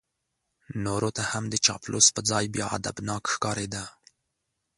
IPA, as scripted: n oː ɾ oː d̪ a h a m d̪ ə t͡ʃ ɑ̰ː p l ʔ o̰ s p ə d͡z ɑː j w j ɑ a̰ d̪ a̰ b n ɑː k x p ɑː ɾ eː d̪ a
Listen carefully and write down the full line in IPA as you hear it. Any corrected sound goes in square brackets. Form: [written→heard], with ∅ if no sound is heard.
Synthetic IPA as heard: n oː ɾ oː [d̪→t̪] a h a m d̪ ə t͡ʃ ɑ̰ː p l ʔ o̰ s p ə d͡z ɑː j [w→b] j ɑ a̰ d̪ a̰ b n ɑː k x [p→k] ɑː ɾ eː d̪ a